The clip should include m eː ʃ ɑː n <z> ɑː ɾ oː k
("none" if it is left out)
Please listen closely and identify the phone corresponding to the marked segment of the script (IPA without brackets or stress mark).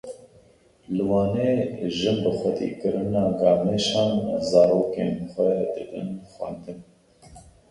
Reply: z